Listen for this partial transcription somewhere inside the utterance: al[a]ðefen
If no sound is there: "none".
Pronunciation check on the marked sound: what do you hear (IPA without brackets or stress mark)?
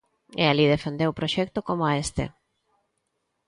i